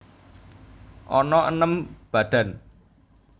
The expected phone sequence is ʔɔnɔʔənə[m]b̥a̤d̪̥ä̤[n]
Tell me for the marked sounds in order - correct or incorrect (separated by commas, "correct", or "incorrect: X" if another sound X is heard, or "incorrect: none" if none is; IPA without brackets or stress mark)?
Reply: correct, correct